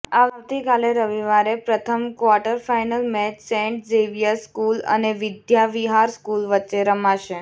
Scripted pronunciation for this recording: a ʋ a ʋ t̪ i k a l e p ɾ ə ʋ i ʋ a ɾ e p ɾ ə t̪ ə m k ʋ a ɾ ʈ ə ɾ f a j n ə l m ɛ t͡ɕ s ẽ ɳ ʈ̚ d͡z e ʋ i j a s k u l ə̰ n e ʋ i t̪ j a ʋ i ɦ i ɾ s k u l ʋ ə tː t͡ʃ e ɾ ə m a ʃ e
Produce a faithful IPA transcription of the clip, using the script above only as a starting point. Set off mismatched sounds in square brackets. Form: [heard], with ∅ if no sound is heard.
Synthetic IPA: a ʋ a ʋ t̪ i k a l e [∅] ɾ ə ʋ i ʋ a ɾ e p ɾ ə [t̪ʰ] ə m k ʋ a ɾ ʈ ə ɾ f a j n ə l m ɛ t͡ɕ s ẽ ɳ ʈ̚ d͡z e ʋ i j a s k u l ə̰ n e ʋ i [d̪] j a ʋ i ɦ [a] ɾ s k u l ʋ ə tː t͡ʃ e ɾ ə m a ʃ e